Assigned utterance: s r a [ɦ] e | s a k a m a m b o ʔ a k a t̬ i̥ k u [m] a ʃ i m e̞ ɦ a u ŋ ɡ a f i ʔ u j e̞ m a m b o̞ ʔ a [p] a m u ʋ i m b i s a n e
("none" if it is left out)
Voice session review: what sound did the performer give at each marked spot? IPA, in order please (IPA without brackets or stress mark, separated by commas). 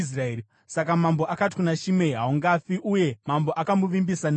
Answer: none, n, k